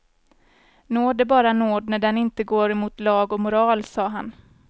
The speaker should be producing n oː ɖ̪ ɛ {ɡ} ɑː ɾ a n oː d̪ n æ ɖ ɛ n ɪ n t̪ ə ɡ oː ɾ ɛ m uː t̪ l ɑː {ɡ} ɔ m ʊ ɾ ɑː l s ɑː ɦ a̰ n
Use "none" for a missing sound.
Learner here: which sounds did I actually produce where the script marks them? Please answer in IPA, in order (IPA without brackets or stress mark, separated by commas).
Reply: b, ɡ